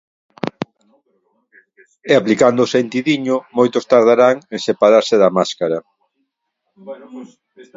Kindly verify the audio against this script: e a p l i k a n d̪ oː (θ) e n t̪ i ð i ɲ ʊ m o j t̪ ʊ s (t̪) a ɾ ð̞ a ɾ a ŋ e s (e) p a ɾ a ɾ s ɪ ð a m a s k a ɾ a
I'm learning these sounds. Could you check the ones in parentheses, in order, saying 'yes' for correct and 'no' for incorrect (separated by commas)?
no, yes, yes